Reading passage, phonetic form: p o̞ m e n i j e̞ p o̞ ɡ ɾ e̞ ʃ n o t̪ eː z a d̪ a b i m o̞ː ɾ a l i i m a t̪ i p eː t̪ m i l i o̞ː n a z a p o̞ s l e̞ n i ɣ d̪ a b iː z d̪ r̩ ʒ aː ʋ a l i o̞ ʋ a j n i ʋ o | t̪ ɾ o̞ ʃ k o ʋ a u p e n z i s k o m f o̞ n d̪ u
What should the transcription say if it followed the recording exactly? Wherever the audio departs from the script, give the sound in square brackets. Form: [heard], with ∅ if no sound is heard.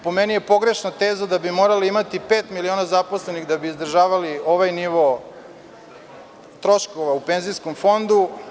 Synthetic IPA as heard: p o̞ m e n i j e̞ p o̞ ɡ ɾ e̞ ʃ n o t̪ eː z a d̪ a b i m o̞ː ɾ a l i i m a t̪ i p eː t̪ m i l i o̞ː n a z a p o̞ s l e̞ n i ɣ d̪ a b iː z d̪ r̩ ʒ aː ʋ a l i o̞ ʋ a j n i ʋ o | t̪ ɾ o̞ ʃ k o ʋ a u p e n z i s k o m f o̞ n d̪ u

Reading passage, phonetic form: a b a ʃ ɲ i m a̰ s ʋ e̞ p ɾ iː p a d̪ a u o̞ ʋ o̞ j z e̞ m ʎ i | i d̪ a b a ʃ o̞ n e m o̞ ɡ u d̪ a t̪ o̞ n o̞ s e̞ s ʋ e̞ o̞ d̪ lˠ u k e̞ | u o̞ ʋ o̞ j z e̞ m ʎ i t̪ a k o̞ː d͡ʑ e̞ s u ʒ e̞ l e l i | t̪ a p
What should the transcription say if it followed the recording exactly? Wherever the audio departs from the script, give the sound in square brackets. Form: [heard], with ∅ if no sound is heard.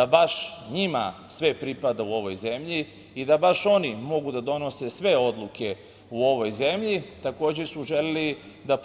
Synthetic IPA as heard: a b a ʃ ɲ i m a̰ s ʋ e̞ p ɾ [i] p a d̪ a u o̞ ʋ o̞ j z e̞ m ʎ i | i d̪ a b a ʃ o̞ n [i] m o̞ ɡ u d̪ a [d̪] o̞ n o̞ s e̞ s ʋ e̞ o̞ d̪ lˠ u k e̞ | u o̞ ʋ o̞ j z e̞ m ʎ i t̪ a k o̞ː d͡ʑ e̞ s u ʒ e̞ l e l i | [d̪] a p

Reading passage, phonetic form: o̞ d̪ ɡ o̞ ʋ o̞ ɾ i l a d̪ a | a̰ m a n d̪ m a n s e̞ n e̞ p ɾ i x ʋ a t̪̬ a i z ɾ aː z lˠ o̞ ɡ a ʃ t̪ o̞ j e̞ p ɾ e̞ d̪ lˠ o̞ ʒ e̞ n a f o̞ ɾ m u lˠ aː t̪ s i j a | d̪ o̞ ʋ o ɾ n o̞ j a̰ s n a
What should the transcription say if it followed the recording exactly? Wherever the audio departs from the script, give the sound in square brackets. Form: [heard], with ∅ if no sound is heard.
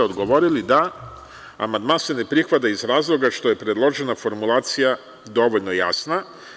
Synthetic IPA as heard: o̞ d̪ ɡ o̞ ʋ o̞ ɾ i l [i] d̪ a | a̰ m a n d̪ m a n s e̞ n e̞ p ɾ i x ʋ a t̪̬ a i z ɾ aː z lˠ o̞ ɡ a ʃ t̪ o̞ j e̞ p ɾ e̞ d̪ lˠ o̞ ʒ e̞ n a f o̞ ɾ m u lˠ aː t̪ s i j a | d̪ o̞ ʋ o [ʎ] n o̞ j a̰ s n a

